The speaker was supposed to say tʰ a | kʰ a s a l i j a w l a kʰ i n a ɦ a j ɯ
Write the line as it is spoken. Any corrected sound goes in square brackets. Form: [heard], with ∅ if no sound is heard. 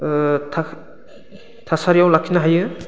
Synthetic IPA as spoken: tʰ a | [tʰ] a s a [ɾ] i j a w l a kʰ i n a ɦ a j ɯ